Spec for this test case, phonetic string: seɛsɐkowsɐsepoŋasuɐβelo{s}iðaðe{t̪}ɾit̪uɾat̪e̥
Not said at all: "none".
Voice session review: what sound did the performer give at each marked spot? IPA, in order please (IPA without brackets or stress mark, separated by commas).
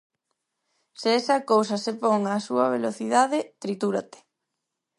θ, t̪